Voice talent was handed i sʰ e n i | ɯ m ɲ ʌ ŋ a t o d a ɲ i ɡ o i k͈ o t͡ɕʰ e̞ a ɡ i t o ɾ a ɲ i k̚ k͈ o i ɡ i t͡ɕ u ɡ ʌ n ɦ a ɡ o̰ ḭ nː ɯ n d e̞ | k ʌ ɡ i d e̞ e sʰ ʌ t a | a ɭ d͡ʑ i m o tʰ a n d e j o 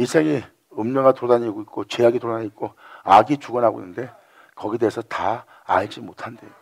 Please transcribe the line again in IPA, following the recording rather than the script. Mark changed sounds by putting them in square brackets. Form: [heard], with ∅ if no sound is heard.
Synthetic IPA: i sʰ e [ŋ] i | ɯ m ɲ ʌ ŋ a t o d a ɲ i ɡ o i k͈ o [t͡ɕ] e̞ a ɡ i t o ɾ a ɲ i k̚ k͈ o [a] ɡ i t͡ɕ u ɡ ʌ n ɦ a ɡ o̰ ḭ nː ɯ n d e̞ | k ʌ ɡ i d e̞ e sʰ ʌ t a | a ɭ d͡ʑ i m o tʰ a n d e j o